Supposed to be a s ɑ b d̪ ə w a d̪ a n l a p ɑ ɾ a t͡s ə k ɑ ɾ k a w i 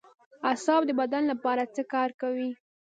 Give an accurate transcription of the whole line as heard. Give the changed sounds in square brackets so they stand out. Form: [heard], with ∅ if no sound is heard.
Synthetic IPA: a s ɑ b d̪ ə [b] a d̪ a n l a p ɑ ɾ a t͡s ə k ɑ ɾ k a w i